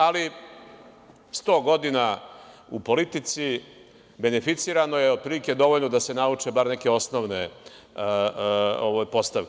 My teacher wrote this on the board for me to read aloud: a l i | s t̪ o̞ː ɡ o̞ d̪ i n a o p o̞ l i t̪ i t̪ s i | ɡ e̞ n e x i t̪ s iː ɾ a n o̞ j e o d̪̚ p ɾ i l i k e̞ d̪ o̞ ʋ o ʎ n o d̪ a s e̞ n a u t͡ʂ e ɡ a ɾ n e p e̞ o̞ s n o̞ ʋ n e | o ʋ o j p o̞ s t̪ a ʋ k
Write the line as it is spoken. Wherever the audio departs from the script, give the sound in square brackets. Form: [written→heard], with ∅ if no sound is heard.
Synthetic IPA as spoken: a l i | s t̪ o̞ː ɡ o̞ d̪ i n a [o→u] p o̞ l i t̪ i t̪ s i | [ɡ→b] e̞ n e [x→f] i t̪ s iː ɾ a n o̞ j e o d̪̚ p ɾ i l i k e̞ d̪ o̞ ʋ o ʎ n o d̪ a s e̞ n a u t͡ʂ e [ɡ→b] a ɾ n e [p→k] e̞ o̞ s n o̞ ʋ n e | o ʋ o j p o̞ s t̪ a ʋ k